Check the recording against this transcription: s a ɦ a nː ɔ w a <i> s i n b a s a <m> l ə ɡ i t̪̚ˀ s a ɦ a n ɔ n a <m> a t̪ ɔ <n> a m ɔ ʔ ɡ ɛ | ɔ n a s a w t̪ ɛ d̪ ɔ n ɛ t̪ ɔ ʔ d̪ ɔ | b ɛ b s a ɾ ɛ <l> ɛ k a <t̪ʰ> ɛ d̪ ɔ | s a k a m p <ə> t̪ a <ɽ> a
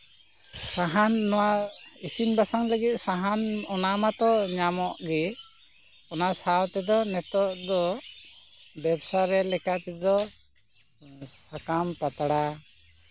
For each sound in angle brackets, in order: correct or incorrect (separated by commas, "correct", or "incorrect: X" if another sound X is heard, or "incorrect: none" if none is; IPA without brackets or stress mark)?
correct, incorrect: ŋ, correct, incorrect: ɲ, correct, incorrect: t̪, incorrect: a, correct